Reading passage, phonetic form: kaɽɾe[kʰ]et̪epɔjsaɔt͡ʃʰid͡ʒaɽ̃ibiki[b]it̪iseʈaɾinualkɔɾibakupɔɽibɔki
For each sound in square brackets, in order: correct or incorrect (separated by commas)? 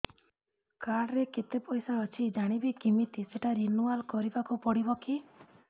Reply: incorrect, incorrect